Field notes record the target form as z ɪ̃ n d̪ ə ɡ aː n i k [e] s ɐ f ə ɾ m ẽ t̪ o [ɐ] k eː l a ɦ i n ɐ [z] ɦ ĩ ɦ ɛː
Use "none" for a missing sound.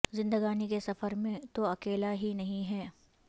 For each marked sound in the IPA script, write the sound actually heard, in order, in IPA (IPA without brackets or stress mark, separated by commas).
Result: e, ɐ, none